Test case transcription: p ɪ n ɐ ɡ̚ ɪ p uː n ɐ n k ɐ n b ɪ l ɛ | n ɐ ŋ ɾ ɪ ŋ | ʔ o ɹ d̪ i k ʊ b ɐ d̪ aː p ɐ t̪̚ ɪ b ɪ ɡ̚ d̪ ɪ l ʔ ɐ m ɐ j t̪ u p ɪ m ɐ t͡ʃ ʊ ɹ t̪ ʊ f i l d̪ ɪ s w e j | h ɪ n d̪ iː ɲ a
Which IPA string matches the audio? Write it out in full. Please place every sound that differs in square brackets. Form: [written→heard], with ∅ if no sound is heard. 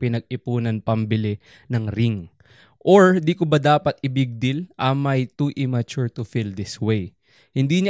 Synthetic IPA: p ɪ n ɐ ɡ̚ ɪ p uː n ɐ n [k→p] ɐ [n→m] b ɪ l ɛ | n ɐ ŋ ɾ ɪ ŋ | ʔ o ɹ d̪ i k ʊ b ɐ d̪ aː p ɐ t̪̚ ɪ b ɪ ɡ̚ d̪ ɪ l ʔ ɐ m ɐ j t̪ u [p→ʔ] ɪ m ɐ t͡ʃ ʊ ɹ t̪ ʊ f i l d̪ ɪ s w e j | h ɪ n d̪ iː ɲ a